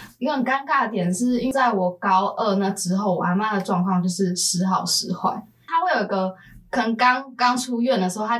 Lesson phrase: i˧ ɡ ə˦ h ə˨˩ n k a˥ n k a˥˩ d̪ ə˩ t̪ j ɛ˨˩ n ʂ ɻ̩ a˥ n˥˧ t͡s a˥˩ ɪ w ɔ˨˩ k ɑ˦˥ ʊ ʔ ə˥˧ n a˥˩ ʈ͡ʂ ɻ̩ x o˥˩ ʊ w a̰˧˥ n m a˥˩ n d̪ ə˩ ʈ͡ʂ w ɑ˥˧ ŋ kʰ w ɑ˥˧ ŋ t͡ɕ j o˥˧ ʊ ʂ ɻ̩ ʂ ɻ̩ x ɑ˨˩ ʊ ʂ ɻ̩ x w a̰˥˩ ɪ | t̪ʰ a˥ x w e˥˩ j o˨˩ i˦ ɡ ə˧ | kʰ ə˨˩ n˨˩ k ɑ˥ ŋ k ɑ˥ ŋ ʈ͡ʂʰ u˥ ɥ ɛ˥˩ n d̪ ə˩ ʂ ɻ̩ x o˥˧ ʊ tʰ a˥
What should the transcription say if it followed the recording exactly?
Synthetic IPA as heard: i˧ ɡ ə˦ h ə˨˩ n k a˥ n k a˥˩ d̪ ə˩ t̪ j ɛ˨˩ n ʂ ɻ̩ i˥ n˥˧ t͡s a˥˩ ɪ w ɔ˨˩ k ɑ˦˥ ʊ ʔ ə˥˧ n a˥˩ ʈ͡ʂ ɻ̩ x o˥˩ ʊ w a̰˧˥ n m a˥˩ n d̪ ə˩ ʈ͡ʂ w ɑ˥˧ ŋ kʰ w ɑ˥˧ ŋ t͡ɕ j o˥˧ ʊ ʂ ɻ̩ ʂ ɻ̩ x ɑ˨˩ ʊ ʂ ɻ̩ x w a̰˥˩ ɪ | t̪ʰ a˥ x w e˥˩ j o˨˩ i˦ ɡ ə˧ | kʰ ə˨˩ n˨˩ k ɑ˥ ŋ k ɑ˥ ŋ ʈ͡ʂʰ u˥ ɥ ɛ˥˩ n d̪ ə˩ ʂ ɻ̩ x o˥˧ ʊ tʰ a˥